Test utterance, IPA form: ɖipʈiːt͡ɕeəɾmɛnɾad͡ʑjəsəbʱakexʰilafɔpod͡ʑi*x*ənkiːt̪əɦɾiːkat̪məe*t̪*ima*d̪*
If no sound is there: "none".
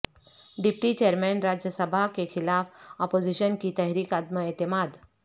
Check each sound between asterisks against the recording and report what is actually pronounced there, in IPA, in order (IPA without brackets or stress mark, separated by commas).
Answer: ɕ, t̪, d̪